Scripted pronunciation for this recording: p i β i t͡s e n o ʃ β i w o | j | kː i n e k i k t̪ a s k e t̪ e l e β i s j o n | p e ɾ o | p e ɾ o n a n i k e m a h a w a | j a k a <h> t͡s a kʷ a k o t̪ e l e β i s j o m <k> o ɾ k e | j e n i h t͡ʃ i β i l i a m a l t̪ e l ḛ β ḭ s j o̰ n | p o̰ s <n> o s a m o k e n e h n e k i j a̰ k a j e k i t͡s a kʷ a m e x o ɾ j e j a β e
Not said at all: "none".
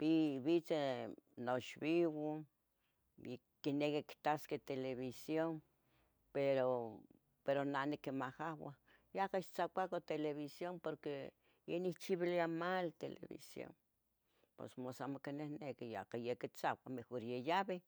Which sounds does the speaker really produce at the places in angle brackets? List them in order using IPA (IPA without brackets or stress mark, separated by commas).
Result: ʃ, p, m